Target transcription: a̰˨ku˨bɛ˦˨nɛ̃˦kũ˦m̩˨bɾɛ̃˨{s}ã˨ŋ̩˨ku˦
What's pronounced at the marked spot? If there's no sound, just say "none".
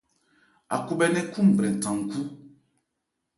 t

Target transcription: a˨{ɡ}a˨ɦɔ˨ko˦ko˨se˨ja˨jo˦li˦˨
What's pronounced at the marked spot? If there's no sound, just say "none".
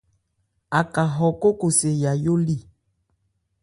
k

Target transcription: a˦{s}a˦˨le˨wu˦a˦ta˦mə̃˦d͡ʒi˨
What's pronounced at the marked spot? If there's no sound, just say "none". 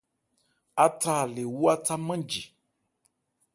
t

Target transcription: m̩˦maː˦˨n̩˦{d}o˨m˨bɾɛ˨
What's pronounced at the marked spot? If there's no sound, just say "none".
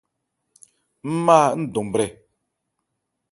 d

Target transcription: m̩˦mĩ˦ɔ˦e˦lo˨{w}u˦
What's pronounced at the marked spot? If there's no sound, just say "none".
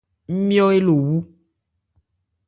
w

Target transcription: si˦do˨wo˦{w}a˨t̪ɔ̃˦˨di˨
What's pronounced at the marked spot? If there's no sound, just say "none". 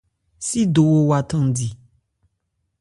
w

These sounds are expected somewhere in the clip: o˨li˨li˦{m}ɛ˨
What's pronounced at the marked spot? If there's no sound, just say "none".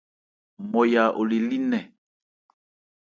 n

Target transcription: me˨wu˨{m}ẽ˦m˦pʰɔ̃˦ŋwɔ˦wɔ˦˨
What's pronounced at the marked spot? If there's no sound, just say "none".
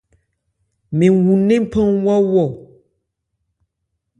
n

